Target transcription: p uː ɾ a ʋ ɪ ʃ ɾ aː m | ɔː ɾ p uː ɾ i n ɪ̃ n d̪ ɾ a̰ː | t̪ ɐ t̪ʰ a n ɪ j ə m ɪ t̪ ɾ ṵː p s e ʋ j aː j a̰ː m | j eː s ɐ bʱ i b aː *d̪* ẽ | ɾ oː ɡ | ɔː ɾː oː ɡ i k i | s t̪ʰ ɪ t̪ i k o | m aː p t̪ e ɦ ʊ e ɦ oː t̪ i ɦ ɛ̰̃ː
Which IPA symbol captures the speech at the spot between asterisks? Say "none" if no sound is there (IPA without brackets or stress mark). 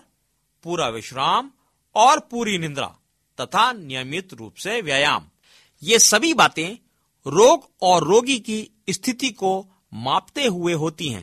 t̪